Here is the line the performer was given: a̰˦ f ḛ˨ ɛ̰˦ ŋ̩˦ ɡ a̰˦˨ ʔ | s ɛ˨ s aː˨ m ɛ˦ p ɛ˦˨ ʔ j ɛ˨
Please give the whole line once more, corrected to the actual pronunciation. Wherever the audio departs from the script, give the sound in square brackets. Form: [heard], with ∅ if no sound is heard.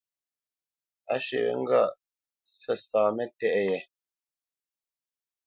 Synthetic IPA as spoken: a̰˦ [ʃ] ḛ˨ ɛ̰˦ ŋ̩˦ ɡ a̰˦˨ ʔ | s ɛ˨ s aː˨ m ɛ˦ [t] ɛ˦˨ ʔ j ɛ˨